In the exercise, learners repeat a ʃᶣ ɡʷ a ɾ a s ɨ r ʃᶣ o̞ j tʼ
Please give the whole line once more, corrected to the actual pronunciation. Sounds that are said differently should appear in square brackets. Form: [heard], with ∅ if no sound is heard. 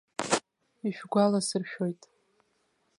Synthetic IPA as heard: [i] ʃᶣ ɡʷ a [l] a s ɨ r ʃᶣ o̞ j tʼ